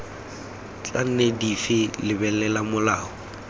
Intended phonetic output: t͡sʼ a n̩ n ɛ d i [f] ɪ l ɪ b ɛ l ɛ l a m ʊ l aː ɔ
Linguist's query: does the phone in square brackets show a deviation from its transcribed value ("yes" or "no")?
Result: no